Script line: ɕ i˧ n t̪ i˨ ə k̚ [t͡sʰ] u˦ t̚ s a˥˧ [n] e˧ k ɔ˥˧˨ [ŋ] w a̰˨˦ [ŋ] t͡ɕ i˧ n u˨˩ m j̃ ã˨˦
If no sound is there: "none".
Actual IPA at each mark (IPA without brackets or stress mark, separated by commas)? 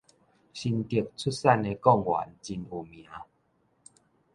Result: t͡sʰ, n, ŋ, n